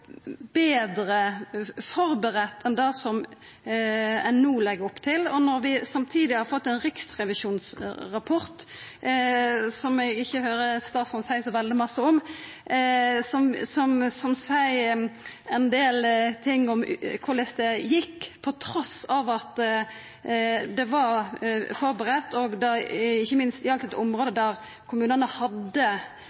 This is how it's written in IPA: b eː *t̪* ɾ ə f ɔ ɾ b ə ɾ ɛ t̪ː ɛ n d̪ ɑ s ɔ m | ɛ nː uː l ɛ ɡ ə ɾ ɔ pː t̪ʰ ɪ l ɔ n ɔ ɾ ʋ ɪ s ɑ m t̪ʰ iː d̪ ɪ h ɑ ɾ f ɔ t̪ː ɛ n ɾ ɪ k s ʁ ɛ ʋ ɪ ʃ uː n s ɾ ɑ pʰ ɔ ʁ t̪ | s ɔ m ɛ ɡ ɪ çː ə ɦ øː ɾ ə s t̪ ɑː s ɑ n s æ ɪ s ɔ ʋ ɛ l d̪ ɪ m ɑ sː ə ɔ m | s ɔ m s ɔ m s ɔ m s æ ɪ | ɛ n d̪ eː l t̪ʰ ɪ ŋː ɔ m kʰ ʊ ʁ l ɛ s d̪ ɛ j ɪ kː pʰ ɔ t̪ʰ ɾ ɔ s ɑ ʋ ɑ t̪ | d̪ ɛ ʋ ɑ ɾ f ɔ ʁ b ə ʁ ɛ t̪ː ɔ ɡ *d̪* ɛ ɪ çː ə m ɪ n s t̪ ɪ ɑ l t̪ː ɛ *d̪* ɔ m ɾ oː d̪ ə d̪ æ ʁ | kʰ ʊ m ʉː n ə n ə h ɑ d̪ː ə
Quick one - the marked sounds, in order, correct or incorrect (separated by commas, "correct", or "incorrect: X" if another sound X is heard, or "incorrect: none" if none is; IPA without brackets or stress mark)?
incorrect: d̪, correct, incorrect: t̪